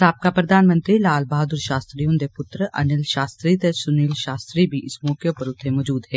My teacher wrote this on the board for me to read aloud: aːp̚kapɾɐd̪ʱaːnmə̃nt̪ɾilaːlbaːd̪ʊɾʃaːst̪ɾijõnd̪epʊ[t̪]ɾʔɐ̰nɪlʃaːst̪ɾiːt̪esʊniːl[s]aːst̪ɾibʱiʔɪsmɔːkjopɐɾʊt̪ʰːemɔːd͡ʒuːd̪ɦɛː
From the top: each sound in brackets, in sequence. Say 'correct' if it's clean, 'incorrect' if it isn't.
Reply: correct, incorrect: ʃ

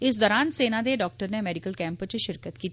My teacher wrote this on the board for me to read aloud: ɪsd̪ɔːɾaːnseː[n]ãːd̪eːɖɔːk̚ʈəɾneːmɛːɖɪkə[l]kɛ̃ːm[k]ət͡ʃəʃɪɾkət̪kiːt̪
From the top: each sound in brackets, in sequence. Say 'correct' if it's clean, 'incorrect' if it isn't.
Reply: correct, correct, incorrect: p

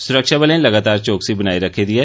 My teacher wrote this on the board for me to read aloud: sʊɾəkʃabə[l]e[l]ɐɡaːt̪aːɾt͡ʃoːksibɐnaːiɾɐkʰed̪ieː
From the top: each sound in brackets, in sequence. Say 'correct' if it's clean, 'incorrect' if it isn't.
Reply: correct, correct

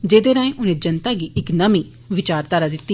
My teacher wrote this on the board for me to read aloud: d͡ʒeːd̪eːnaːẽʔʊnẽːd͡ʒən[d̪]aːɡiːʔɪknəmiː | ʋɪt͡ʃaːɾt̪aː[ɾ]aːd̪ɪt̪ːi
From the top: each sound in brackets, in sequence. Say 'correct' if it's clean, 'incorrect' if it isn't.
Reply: incorrect: t̪, correct

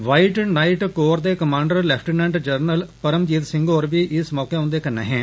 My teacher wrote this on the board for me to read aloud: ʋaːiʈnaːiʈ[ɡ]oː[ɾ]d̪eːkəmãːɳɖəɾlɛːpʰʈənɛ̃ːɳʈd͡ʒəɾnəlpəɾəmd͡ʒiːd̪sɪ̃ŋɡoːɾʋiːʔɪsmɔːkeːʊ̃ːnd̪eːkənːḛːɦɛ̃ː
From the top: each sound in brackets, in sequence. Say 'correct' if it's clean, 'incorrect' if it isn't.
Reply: incorrect: k, correct

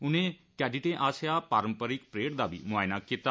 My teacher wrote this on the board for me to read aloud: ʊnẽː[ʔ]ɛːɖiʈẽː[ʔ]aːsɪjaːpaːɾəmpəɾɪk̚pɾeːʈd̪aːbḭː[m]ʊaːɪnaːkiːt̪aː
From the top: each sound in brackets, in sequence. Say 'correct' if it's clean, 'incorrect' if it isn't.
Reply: incorrect: k, correct, correct

